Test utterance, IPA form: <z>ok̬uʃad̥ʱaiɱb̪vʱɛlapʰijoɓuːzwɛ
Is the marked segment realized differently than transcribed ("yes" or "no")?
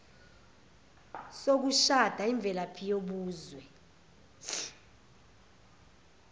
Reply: yes